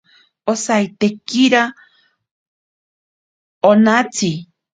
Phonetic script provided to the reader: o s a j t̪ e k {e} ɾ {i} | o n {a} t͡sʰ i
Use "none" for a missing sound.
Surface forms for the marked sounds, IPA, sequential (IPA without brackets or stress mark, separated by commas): i, a, a